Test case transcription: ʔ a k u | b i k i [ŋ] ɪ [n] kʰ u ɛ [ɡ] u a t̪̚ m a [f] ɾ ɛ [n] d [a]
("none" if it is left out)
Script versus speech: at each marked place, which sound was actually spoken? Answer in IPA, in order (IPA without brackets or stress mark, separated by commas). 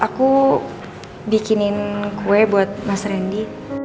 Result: n, n, b, s, n, i